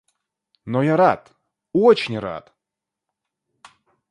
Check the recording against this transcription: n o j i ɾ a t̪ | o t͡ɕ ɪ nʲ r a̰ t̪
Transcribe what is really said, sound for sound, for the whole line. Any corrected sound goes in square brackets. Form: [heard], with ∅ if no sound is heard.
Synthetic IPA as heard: n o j [a] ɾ a t̪ | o t͡ɕ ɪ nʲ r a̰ t̪